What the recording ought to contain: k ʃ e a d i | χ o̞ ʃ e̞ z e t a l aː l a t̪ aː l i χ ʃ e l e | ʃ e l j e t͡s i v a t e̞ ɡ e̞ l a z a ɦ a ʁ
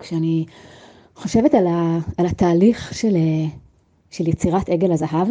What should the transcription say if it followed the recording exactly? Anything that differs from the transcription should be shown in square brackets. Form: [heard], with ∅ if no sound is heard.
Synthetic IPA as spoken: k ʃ e a [n] i | χ o̞ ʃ e̞ [v] e t a l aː l a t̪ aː l i χ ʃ e l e | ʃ e l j e t͡s i [ʁ] a t e̞ ɡ e̞ l a z a ɦ a [v]